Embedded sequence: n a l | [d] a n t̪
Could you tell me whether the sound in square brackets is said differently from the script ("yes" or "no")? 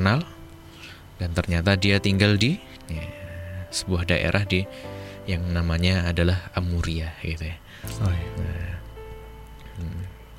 no